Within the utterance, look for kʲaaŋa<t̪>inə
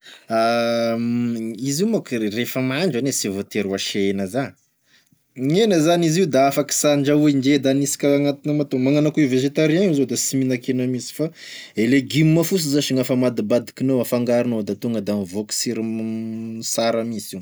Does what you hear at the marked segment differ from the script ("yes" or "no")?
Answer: no